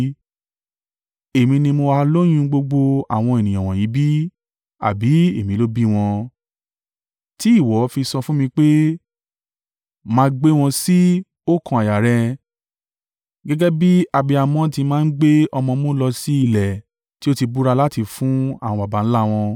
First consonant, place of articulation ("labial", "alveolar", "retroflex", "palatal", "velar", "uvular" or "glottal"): labial